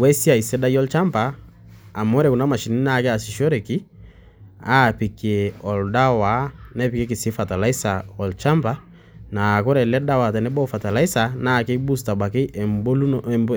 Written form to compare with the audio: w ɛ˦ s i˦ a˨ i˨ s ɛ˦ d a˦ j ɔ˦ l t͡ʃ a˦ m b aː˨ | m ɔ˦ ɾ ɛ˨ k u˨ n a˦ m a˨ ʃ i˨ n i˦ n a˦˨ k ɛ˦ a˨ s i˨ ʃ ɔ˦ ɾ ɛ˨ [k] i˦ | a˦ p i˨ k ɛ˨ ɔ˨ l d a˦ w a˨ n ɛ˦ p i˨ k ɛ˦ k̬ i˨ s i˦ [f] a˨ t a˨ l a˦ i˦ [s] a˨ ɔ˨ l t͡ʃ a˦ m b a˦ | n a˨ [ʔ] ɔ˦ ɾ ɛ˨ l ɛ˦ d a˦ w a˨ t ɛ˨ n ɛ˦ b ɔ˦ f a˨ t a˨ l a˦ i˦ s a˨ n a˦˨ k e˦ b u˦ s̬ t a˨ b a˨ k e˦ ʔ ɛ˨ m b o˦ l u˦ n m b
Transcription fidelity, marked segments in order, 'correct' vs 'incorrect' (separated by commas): correct, correct, correct, incorrect